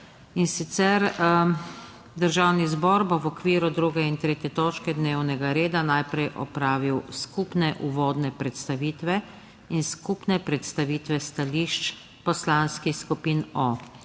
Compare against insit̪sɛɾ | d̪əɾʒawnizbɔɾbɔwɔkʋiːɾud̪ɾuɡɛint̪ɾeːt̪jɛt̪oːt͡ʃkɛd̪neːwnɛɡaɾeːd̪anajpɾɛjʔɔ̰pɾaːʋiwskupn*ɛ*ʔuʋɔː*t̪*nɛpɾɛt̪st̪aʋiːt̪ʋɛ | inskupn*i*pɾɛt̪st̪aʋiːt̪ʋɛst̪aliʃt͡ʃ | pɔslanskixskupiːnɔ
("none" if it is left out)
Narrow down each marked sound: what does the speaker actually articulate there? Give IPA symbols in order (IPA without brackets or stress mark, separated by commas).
ɛ, d̪, ɛ